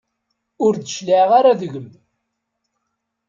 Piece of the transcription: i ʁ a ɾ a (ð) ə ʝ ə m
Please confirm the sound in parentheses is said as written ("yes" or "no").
yes